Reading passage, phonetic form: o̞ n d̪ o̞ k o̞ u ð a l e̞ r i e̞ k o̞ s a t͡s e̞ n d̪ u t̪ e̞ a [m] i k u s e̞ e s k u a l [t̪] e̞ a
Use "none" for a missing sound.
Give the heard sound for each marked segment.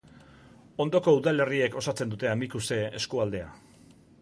m, d̪

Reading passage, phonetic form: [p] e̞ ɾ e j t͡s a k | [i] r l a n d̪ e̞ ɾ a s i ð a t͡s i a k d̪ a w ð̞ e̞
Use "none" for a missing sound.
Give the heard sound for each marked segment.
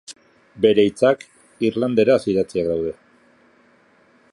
b, i

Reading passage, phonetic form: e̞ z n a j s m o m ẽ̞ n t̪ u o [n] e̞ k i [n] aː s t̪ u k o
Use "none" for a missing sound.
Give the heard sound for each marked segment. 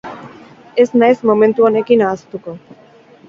n, n

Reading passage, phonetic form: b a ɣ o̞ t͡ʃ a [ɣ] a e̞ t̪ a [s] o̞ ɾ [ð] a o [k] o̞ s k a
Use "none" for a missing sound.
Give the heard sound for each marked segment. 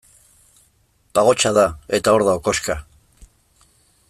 ð, none, ð, k

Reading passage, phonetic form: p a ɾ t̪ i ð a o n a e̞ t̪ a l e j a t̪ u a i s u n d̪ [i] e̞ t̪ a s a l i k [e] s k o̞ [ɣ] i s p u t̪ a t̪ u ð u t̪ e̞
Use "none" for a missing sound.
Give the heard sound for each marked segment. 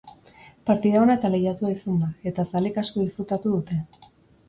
a, a, ð

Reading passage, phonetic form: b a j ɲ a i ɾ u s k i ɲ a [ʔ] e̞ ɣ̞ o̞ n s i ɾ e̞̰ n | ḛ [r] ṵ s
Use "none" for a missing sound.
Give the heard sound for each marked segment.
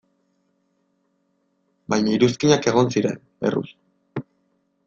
k, r

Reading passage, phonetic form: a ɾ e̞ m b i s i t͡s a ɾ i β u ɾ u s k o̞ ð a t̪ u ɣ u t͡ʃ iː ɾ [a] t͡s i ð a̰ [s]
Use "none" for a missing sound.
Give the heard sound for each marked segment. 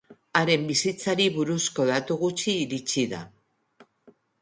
i, none

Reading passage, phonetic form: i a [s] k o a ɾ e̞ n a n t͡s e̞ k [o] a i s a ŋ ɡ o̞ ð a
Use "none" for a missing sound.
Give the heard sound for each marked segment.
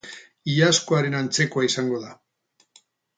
s, o

